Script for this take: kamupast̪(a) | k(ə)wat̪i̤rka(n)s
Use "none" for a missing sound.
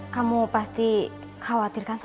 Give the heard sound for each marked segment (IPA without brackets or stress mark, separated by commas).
i, a, n